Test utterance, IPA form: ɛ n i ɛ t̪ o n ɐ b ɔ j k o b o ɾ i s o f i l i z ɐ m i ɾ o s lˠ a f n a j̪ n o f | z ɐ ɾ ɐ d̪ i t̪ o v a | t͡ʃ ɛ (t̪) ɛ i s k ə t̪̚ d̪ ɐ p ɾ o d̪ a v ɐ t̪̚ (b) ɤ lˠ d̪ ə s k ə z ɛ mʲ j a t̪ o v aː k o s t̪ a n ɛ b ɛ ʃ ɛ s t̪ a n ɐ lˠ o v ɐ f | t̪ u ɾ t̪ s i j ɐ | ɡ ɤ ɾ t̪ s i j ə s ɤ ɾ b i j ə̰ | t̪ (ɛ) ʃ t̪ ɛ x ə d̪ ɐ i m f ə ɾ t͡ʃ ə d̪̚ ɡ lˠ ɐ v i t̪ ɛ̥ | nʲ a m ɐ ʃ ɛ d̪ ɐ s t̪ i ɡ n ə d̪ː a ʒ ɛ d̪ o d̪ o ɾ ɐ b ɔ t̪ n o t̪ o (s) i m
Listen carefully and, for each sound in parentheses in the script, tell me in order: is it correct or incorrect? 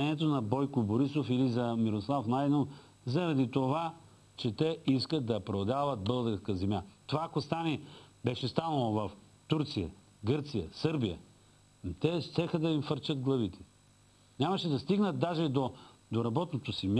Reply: correct, correct, correct, correct

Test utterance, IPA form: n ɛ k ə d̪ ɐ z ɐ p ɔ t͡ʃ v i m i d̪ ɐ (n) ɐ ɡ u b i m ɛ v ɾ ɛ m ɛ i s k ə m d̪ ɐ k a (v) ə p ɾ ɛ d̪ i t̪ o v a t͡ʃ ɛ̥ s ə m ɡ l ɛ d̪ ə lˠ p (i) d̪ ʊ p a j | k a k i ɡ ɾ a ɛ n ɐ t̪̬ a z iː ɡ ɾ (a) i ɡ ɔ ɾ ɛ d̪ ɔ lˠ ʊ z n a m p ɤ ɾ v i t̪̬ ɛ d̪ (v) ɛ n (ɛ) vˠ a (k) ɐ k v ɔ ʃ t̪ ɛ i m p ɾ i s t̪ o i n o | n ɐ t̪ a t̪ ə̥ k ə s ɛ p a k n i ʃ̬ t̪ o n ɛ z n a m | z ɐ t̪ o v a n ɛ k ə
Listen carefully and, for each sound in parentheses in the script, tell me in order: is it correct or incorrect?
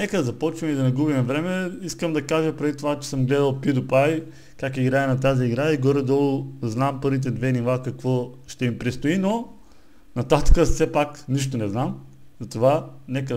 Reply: correct, incorrect, correct, correct, correct, incorrect, correct

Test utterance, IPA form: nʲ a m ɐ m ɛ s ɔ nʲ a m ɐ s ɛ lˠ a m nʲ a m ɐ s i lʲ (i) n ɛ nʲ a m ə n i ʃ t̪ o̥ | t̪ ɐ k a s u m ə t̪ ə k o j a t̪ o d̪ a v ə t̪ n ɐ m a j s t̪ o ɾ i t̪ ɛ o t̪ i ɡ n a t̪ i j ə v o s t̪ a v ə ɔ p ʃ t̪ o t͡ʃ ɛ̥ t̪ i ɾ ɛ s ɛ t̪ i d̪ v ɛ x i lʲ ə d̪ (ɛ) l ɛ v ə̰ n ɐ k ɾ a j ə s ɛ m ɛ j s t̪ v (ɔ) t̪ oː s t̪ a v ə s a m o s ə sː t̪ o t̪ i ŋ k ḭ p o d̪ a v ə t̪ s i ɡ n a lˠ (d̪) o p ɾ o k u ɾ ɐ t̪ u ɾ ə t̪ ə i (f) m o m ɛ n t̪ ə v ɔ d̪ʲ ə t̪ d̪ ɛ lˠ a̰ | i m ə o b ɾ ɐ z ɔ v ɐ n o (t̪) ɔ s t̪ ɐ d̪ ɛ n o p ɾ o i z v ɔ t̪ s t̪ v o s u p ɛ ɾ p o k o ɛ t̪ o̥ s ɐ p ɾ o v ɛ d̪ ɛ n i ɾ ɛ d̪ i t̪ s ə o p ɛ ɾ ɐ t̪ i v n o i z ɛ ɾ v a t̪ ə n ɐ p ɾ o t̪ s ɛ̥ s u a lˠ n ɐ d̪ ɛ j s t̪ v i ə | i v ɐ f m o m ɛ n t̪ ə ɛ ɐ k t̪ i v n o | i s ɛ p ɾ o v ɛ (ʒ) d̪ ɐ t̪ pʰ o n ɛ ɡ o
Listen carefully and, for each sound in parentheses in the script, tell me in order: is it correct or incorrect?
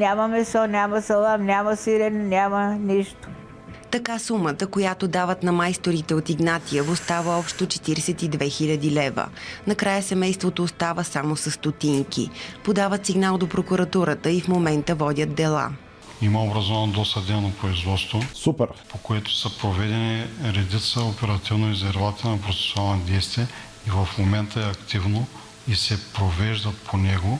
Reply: incorrect, incorrect, incorrect, correct, correct, incorrect, correct

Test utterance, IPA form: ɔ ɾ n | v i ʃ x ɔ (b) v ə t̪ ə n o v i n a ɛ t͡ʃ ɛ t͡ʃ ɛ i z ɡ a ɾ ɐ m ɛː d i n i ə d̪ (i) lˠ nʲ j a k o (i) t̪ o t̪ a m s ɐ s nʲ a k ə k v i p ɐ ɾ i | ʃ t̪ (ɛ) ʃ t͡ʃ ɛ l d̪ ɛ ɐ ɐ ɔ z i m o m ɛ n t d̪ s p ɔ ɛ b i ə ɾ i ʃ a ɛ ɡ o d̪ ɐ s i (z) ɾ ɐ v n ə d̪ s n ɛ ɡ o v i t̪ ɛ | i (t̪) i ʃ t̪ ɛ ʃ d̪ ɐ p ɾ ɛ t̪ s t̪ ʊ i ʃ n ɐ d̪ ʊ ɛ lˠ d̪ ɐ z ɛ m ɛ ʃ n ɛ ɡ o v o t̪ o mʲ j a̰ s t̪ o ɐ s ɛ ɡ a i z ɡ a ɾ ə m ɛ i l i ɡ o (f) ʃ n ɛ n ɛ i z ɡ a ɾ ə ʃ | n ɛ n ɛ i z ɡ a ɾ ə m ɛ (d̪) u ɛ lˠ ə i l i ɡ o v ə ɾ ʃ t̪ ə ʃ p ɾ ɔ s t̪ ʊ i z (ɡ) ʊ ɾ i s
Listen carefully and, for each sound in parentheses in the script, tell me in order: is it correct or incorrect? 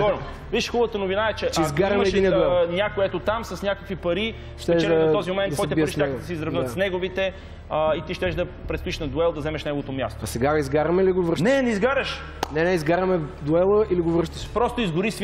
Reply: correct, incorrect, incorrect, correct, correct, correct, incorrect, correct, correct

